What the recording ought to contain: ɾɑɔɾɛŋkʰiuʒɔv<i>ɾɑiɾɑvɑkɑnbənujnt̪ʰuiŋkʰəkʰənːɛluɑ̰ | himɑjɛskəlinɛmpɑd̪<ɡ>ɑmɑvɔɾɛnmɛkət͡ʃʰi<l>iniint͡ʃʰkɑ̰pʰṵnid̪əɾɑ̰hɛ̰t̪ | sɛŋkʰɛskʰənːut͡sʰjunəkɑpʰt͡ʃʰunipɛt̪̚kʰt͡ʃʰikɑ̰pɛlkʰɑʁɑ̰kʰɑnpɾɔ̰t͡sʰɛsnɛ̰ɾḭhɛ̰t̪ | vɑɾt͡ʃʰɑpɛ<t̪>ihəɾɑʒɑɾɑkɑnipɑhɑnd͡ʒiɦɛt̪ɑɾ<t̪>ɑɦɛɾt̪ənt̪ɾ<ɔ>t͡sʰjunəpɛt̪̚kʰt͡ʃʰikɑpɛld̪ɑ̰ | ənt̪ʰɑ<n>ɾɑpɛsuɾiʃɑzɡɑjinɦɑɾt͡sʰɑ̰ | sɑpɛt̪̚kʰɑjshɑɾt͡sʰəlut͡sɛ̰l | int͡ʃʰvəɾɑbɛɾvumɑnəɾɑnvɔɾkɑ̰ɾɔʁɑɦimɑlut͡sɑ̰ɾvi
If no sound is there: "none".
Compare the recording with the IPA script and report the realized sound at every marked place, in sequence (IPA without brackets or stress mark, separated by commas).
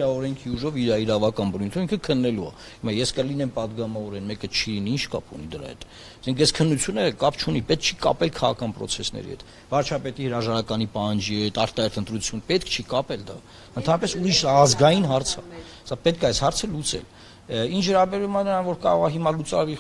i, ɡ, l, t̪, t̪, u, n